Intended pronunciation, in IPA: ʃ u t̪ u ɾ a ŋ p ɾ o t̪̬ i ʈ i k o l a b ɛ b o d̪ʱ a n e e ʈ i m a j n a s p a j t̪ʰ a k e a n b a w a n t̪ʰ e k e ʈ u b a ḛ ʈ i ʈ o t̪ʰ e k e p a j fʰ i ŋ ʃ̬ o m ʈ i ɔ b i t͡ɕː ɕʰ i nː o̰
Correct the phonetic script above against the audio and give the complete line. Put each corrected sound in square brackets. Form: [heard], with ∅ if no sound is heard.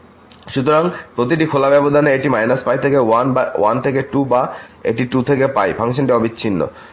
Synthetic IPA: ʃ u t̪ [o] ɾ a ŋ p ɾ o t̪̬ i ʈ i [kʰ] o l a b ɛ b o d̪ʱ a n e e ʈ i m a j n a s p a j t̪ʰ [e] k e a n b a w a n t̪ʰ e k e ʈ u b a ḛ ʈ i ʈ [u] t̪ʰ e k e p a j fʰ [a] ŋ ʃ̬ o [n] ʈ i ɔ b i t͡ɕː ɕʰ i nː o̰